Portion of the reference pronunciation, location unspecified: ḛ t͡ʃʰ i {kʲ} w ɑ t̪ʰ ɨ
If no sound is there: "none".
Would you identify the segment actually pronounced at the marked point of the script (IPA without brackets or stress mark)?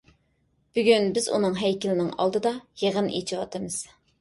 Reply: none